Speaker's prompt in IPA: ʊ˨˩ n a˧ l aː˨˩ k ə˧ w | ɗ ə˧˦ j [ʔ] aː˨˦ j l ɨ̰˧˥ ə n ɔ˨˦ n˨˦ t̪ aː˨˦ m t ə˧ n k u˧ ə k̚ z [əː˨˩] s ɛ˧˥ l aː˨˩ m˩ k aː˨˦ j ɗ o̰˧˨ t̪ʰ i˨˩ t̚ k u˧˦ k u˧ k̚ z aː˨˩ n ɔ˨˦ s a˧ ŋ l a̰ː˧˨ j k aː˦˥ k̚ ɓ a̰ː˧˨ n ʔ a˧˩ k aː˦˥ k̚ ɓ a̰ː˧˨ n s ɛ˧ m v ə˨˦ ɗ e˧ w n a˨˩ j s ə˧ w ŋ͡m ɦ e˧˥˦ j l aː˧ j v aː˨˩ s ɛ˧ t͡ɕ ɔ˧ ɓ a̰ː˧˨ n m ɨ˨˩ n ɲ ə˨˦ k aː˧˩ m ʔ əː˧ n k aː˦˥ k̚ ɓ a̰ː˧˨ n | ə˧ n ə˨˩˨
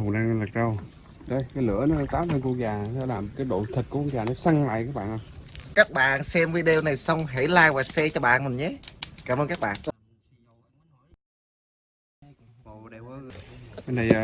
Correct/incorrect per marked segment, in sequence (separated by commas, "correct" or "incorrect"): incorrect, incorrect